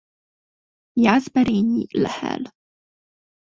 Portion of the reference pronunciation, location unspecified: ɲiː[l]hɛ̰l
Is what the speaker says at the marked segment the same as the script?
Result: yes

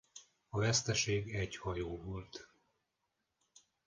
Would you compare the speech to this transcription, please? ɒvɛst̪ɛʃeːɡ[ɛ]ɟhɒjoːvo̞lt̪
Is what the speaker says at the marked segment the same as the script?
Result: yes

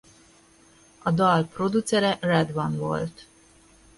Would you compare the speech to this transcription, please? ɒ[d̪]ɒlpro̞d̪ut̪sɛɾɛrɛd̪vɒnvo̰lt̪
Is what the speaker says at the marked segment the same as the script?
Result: yes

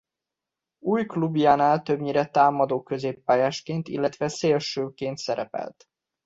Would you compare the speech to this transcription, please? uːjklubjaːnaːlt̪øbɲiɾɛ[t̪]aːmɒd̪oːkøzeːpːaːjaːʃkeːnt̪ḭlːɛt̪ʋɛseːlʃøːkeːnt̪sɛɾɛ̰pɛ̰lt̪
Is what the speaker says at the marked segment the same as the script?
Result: yes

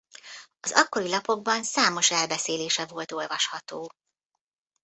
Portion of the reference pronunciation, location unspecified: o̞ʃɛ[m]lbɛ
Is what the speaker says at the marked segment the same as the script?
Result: no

